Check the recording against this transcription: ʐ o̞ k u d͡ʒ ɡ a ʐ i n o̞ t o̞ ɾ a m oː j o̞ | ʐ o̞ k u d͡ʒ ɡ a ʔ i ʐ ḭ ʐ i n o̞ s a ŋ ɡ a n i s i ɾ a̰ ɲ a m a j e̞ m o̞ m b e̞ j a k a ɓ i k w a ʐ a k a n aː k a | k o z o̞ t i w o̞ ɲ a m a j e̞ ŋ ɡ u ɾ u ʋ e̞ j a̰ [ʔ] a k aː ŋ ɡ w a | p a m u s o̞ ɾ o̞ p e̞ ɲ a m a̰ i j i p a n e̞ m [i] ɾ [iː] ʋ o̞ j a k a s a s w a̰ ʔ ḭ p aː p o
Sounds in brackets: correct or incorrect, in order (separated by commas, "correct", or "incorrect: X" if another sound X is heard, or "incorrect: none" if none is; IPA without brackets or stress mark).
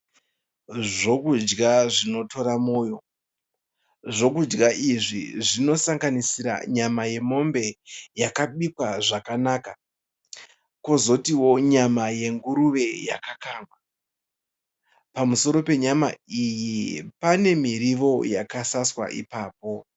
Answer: incorrect: k, correct, incorrect: i